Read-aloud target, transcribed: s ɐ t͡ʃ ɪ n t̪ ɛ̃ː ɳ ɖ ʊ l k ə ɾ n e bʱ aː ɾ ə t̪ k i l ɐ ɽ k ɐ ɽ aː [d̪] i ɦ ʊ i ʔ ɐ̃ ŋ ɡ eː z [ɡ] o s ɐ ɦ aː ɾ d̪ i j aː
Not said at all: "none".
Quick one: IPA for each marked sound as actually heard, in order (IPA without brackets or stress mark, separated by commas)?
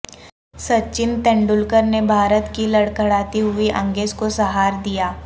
t̪, k